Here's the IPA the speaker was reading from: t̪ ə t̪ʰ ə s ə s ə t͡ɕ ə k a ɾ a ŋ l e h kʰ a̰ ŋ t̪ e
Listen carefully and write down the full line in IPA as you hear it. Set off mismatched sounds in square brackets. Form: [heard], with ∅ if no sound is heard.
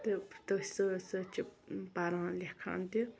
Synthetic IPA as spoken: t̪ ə [t̪] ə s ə s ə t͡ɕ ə [p] a ɾ a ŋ l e h kʰ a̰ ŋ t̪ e